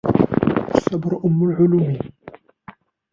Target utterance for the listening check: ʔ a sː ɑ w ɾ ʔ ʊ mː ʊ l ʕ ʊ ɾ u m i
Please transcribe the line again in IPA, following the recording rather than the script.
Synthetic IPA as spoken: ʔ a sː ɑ b ɾ ʔ ʊ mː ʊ l ʕ ʊ l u m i